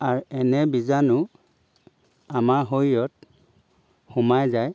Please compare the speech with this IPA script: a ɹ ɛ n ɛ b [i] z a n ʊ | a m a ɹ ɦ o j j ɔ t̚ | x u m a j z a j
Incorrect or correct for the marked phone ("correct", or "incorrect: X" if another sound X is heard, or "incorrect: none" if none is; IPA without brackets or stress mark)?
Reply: correct